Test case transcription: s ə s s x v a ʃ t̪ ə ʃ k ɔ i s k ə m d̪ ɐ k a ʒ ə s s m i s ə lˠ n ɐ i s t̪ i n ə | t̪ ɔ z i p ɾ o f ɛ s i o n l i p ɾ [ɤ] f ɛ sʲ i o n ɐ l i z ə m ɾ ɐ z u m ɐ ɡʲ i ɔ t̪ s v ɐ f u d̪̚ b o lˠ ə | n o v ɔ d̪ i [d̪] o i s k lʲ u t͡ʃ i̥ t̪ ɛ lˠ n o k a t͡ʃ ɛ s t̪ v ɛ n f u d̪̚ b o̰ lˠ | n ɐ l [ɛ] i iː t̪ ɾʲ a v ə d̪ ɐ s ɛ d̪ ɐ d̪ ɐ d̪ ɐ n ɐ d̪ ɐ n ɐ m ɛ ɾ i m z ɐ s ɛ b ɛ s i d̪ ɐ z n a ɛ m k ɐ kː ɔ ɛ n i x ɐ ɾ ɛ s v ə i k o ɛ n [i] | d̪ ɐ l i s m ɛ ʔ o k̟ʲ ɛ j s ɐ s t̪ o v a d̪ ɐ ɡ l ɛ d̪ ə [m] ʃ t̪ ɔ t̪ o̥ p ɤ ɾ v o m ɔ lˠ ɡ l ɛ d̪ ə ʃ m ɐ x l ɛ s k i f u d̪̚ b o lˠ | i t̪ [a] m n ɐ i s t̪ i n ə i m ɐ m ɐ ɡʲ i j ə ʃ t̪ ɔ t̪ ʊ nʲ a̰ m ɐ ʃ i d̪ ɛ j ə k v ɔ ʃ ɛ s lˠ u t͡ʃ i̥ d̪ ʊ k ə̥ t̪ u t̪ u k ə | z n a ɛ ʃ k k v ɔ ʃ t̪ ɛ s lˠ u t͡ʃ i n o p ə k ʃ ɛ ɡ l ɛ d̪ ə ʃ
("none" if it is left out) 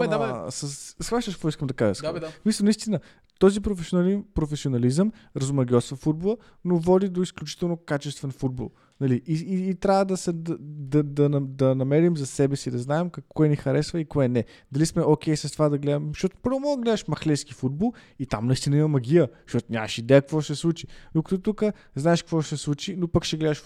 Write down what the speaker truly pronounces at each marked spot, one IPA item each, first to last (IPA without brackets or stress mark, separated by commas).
o, d̪, i, ɛ, m, a